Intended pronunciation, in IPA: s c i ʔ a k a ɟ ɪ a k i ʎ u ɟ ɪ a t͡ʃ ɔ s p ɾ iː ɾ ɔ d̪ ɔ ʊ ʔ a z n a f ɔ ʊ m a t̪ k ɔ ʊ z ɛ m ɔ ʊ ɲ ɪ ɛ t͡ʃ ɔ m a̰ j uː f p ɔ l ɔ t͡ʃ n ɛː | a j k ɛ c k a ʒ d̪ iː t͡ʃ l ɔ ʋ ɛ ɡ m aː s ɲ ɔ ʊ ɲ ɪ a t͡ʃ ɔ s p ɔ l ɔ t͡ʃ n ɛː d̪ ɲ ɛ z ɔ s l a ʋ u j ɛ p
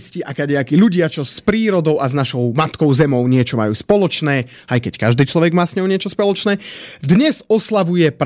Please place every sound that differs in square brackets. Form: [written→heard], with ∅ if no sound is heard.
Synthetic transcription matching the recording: s c i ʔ a k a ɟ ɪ a k i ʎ u ɟ ɪ a t͡ʃ ɔ s p ɾ iː ɾ ɔ d̪ ɔ ʊ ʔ a z n a [f→ʃ] ɔ ʊ m a t̪ k ɔ ʊ z ɛ m ɔ ʊ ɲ ɪ ɛ t͡ʃ ɔ m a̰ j uː [f→s] p ɔ l ɔ t͡ʃ n ɛː | a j k ɛ c k a ʒ d̪ iː t͡ʃ l ɔ ʋ ɛ ɡ m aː s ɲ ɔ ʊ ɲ ɪ [a→ɛ] t͡ʃ ɔ s p ɔ l ɔ t͡ʃ n ɛː d̪ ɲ ɛ z ɔ s l a ʋ u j ɛ p